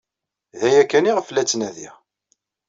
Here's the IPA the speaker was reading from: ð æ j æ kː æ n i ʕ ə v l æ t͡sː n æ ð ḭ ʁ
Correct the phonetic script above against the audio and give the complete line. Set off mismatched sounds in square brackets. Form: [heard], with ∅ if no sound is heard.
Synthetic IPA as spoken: ð æ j æ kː æ n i [ʁ] ə [f] l æ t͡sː n æ ð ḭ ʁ